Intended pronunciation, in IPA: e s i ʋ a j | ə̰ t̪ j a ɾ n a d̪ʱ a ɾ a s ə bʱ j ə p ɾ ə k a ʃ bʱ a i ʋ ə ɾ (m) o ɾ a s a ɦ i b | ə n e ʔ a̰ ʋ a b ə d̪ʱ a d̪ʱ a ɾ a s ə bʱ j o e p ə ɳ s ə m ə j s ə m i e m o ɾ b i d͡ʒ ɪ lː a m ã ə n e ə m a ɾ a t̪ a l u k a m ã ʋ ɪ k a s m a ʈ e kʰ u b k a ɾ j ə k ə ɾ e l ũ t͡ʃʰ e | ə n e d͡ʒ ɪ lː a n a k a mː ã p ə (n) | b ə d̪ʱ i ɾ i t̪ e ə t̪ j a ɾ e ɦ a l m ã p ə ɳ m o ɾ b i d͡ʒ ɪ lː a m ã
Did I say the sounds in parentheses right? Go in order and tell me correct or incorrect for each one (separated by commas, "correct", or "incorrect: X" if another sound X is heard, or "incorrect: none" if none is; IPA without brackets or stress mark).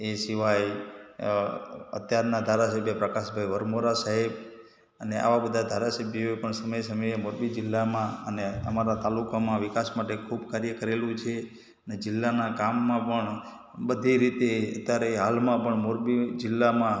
correct, incorrect: ɳ